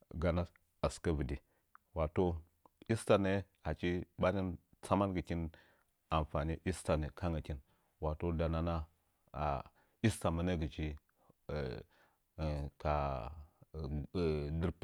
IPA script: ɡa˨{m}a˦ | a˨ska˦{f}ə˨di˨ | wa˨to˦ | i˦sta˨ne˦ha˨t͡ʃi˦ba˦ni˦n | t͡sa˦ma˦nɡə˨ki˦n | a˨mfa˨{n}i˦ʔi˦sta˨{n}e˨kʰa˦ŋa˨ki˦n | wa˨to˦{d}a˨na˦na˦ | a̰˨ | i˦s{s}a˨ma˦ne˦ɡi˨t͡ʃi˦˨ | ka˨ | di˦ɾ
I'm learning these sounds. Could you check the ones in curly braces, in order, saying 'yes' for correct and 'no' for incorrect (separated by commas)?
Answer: no, no, yes, yes, yes, no